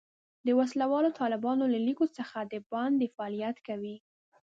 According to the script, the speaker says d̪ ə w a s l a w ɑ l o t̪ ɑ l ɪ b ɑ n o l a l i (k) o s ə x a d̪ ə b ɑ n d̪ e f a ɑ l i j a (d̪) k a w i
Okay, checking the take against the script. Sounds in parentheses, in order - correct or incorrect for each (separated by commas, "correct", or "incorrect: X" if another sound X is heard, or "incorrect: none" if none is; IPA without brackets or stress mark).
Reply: correct, incorrect: t̪